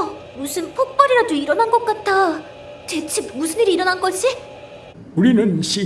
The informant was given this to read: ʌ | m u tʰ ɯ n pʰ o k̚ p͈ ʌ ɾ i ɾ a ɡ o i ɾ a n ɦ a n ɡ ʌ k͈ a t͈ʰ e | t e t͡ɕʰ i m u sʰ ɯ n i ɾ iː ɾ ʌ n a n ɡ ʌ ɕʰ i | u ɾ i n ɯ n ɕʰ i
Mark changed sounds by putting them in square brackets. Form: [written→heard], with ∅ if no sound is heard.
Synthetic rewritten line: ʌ | m u [tʰ→sʰ] ɯ n pʰ o k̚ p͈ ʌ ɾ i ɾ a [ɡ→d] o i ɾ [a→ʌ] n ɦ a n ɡ ʌ k͈ a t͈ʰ [e→a] | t e t͡ɕʰ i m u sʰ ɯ n i ɾ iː ɾ ʌ n a n ɡ ʌ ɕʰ i | u ɾ i n ɯ n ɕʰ i